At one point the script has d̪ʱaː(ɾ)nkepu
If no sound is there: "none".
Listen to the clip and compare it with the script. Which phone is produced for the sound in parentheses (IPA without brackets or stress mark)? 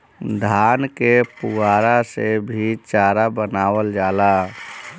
none